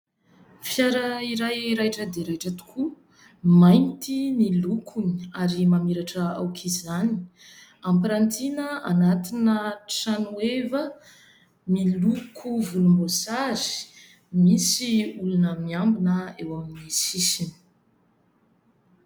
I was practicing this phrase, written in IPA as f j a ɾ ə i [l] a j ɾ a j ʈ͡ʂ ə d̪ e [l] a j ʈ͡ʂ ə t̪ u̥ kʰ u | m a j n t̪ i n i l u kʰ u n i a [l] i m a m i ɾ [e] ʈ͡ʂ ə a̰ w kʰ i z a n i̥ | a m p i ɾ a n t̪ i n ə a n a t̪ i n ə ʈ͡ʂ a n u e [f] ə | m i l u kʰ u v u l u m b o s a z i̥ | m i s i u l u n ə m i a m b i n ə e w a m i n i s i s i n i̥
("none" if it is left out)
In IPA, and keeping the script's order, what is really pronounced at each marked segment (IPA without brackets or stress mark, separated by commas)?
ɾ, ɾ, ɾ, a, v